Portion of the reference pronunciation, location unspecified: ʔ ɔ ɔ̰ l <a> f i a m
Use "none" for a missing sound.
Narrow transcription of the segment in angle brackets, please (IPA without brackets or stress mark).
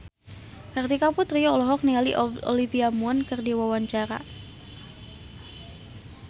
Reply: i